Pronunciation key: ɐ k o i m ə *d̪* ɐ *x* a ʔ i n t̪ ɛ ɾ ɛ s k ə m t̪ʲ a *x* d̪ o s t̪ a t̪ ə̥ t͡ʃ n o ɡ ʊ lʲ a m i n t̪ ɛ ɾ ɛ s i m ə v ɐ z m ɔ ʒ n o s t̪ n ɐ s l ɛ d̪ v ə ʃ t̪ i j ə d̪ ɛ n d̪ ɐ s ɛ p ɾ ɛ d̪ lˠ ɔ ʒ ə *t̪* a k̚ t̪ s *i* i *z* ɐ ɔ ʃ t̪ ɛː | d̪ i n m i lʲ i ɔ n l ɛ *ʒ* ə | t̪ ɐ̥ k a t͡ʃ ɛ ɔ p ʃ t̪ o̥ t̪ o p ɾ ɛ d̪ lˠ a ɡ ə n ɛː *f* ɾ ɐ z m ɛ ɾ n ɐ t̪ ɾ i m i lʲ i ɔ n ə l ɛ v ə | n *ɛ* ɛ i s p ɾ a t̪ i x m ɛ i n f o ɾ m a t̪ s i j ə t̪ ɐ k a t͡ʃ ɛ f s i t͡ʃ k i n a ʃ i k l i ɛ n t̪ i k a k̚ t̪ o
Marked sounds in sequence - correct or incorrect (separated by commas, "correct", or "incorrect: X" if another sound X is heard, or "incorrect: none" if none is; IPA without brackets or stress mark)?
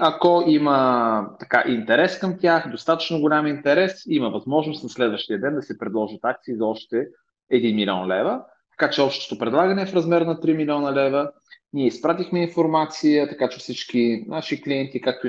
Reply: incorrect: t̪, incorrect: k, correct, correct, correct, correct, incorrect: v, correct, incorrect: i